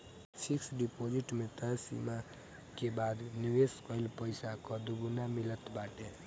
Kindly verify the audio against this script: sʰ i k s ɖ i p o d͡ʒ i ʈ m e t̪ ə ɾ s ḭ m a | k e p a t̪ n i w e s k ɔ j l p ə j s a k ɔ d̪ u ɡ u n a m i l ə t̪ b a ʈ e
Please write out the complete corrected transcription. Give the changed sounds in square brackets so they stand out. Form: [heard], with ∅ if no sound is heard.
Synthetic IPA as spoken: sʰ i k s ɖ i p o d͡ʒ i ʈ m e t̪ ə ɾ s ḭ m a | k e [b] a [d̪] n i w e s k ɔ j l p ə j s a k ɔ d̪ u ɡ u n a m i l ə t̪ b a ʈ e